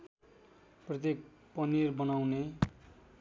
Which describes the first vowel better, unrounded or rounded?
unrounded